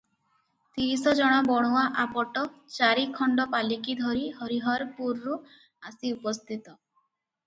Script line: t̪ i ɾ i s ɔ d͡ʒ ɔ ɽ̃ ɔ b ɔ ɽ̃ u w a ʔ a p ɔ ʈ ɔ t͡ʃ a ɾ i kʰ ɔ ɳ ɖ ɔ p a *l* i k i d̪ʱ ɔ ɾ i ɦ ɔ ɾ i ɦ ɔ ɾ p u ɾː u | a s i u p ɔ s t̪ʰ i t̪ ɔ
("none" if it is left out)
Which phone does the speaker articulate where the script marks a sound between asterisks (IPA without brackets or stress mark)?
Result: l